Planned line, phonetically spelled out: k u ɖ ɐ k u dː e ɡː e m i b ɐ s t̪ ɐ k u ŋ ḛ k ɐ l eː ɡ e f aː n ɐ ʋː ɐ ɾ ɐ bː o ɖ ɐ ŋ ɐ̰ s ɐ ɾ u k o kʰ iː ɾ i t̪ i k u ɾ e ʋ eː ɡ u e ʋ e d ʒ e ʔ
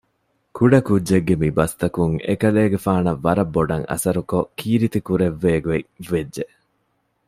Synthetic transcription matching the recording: k u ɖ ɐ k u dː e ɡː e m i b ɐ s t̪ ɐ k u ŋ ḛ k ɐ l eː ɡ e f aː n ɐ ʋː ɐ ɾ ɐ bː o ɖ ɐ ŋ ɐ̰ s ɐ ɾ u k o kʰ iː ɾ i t̪ i k u ɾ e ʋː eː ɡ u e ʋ e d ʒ e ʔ